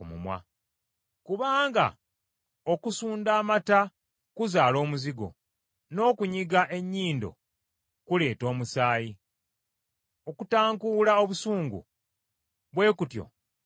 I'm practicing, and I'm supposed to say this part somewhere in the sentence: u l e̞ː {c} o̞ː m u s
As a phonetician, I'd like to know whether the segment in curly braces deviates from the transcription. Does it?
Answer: yes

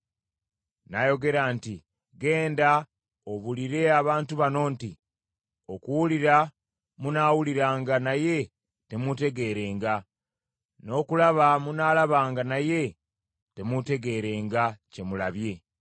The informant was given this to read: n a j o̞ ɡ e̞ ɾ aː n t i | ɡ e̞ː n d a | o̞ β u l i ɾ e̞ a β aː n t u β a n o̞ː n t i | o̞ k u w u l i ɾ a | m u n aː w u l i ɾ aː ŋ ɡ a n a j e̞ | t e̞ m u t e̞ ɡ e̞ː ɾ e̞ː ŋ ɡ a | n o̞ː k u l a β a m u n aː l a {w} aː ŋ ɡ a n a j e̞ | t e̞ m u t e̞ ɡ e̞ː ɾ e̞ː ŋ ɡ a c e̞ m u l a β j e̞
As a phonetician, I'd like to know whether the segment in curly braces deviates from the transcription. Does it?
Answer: yes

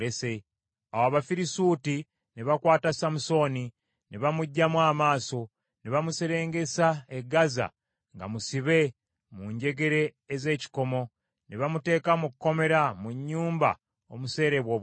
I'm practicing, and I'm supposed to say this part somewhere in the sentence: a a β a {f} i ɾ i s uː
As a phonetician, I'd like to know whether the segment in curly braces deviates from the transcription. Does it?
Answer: no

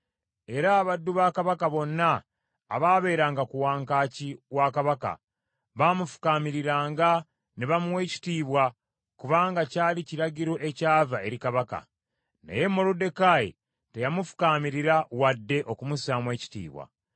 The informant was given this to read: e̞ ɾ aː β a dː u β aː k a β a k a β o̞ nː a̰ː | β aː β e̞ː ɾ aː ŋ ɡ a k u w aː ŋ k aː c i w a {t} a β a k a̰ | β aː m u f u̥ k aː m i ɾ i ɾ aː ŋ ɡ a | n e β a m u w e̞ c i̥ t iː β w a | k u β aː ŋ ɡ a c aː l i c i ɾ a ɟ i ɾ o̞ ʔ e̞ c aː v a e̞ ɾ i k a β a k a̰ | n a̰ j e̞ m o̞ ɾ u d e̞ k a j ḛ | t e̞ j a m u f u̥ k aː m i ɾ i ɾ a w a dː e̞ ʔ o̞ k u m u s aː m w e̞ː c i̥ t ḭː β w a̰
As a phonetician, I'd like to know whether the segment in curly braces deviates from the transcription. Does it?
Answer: yes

